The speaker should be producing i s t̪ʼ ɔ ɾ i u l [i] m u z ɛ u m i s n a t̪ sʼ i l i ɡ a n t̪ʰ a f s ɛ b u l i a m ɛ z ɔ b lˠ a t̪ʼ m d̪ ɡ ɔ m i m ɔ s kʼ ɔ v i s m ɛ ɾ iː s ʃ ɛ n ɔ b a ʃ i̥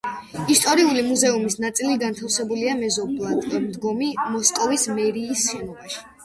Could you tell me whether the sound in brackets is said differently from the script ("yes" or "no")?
no